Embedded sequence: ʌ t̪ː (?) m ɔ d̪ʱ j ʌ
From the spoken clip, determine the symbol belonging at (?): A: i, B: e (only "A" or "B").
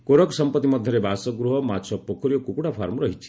A